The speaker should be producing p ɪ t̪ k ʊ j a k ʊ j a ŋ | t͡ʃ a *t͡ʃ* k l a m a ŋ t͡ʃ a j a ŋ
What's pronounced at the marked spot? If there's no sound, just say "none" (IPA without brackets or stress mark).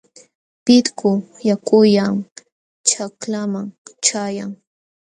none